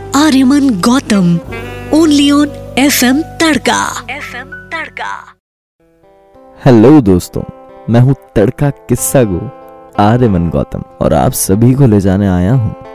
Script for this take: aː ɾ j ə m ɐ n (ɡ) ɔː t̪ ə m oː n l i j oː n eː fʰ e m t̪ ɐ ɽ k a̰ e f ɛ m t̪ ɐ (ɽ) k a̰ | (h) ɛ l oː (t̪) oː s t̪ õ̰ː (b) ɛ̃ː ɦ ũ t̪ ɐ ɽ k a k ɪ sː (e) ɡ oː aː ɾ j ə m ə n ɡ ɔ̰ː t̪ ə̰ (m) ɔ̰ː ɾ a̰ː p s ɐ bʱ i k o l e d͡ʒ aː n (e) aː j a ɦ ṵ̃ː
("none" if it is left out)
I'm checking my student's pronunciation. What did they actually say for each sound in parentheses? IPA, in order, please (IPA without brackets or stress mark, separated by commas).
ɡ, ɽ, h, d̪, m, a, m, e